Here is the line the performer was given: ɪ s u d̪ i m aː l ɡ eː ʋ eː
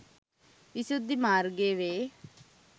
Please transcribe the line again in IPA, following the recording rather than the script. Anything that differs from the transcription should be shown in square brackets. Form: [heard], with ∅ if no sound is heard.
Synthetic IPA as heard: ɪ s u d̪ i m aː [ɾ] ɡ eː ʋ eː